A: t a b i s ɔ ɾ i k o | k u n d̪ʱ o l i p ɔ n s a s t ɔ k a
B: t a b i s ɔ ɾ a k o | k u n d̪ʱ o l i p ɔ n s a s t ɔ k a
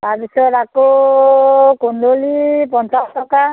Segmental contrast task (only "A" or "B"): B